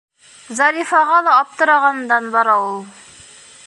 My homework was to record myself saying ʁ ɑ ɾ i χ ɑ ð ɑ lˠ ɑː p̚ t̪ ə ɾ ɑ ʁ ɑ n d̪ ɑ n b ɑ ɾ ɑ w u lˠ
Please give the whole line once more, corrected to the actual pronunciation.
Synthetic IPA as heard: z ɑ ɾ i f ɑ ʁ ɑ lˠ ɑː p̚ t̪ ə ɾ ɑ ʁ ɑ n d̪ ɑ n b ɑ ɾ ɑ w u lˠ